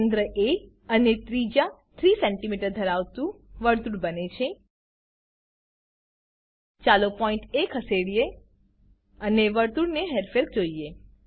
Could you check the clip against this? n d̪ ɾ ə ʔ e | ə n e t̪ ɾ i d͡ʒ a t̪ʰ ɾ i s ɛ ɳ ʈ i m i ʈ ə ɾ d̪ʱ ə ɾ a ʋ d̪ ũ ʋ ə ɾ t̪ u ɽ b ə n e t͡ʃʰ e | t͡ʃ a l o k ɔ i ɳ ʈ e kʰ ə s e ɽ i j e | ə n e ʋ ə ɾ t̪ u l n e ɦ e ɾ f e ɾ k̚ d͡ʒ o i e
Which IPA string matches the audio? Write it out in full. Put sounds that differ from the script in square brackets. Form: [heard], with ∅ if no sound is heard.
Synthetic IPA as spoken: n d̪ ɾ ə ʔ e | ə n e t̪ ɾ i d͡ʒ a t̪ʰ ɾ i s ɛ ɳ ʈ i m i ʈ ə ɾ d̪ʱ ə ɾ a ʋ [t̪] ũ ʋ ə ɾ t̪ u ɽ b ə n e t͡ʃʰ e | t͡ʃ a l o [p] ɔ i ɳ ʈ e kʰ ə s e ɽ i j e | ə n e ʋ ə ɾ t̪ u [ɽ] n e ɦ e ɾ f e ɾ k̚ d͡ʒ o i e